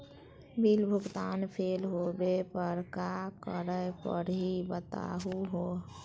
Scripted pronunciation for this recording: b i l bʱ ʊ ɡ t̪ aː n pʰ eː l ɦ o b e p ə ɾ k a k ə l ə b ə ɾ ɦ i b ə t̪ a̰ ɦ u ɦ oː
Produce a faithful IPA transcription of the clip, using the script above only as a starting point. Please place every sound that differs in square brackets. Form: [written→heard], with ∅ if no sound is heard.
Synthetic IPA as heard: b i l bʱ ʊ ɡ t̪ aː n pʰ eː l ɦ o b e p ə ɾ k a k ə [l→ɾ] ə [b→p] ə ɾ ɦ i b ə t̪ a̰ ɦ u ɦ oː